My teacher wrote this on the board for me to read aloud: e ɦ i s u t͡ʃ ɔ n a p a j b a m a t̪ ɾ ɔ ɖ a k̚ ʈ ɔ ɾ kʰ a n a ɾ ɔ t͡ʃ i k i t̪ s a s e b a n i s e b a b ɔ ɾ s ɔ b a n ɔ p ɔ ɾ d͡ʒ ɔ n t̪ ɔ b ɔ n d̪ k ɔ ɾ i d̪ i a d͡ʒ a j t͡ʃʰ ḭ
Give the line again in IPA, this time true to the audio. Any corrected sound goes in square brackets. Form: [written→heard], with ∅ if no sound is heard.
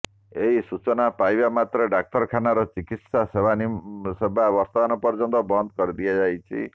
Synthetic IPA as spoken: e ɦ i s u t͡ʃ ɔ n a p a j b a m a t̪ ɾ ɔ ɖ a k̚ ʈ ɔ ɾ kʰ a n a ɾ ɔ t͡ʃ i k i t̪ s a s e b a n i s e b a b ɔ ɾ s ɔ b a n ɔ p ɔ ɾ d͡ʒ ɔ n t̪ ɔ b ɔ n d̪ k ɔ ɾ i d̪ i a d͡ʒ a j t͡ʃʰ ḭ